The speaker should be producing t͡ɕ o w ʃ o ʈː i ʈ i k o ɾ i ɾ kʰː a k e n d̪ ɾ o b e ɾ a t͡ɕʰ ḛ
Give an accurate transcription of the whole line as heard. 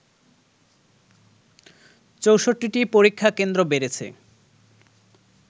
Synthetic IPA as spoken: t͡ɕ o w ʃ o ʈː i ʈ i p o ɾ i kʰː a k e n d̪ ɾ o b e ɾ e t͡ɕʰ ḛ